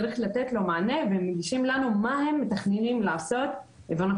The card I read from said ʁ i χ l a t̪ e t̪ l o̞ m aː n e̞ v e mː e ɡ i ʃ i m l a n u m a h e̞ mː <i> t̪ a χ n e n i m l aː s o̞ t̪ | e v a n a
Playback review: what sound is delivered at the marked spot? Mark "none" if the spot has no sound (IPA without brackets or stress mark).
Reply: e